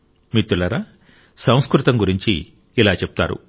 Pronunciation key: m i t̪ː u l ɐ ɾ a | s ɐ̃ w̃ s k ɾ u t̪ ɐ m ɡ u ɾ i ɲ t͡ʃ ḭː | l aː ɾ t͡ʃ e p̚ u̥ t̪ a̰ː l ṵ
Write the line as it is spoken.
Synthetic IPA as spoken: m i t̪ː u l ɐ ɾ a | s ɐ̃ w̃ s k ɾ u t̪ ɐ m ɡ u ɾ i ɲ t͡ʃ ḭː | l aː t͡ʃ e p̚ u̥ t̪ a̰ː ɾ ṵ